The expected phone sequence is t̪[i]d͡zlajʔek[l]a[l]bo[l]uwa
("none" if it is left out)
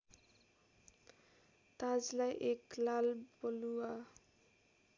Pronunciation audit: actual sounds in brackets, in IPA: a, l, l, l

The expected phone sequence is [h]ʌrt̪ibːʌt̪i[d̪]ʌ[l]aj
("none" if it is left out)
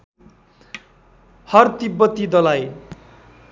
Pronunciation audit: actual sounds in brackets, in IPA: h, d̪, l

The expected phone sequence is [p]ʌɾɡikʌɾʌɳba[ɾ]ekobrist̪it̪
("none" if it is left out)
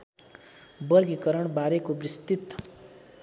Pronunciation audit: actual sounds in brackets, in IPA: b, ɾ

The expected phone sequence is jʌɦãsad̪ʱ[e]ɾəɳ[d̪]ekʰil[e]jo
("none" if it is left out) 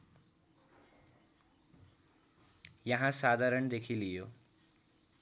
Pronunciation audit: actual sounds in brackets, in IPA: a, d̪, i

